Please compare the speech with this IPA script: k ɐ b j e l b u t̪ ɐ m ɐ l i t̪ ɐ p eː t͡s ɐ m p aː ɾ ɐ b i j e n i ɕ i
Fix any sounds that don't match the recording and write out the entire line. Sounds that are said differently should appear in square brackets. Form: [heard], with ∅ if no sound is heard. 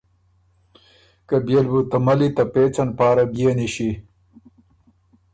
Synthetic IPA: k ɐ b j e l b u t̪ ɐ m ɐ l i t̪ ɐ p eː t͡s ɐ [n] p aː ɾ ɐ b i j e n i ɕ i

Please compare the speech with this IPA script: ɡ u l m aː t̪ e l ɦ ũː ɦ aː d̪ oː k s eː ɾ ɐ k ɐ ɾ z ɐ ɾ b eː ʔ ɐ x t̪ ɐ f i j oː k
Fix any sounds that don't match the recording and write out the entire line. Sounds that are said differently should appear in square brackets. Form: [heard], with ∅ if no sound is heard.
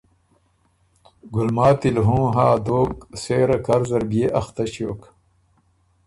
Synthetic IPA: ɡ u l m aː t̪ [i] l ɦ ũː ɦ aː d̪ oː k s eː ɾ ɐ k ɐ ɾ z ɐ ɾ b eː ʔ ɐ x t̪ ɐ [ɕ] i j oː k

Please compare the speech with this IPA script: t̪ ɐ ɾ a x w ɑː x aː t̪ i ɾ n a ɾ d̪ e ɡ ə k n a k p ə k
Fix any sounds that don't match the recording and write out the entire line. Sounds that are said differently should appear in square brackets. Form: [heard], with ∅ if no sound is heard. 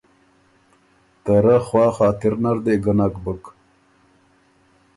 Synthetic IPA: t̪ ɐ ɾ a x w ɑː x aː t̪ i ɾ n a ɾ d̪ e ɡ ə [∅] n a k [b] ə k

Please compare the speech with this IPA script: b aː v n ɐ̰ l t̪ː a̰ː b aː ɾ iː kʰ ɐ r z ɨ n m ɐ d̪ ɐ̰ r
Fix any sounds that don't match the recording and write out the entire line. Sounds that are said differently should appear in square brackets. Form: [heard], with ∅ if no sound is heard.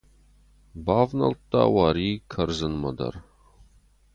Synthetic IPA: b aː v n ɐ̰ l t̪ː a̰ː [w] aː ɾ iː kʰ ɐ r z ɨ n m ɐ d̪ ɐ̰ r

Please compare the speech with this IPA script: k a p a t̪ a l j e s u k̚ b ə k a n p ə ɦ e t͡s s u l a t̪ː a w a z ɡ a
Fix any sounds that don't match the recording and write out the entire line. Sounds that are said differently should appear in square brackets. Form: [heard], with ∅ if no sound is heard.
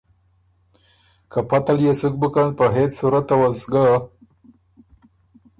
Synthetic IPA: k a p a t̪ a l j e s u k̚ b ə k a n p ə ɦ e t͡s s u [ɾ] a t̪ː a w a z ɡ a

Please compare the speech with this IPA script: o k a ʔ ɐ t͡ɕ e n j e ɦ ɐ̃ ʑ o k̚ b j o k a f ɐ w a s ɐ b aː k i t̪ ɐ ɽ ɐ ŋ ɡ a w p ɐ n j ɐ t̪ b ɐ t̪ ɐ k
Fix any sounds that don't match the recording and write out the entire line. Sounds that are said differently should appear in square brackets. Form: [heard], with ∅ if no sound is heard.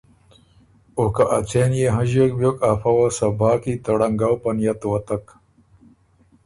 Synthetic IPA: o k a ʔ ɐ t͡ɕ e n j e ɦ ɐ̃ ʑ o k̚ b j o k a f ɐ w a s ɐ b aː k i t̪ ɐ ɽ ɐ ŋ ɡ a w p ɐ n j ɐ t̪ [w] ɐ t̪ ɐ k

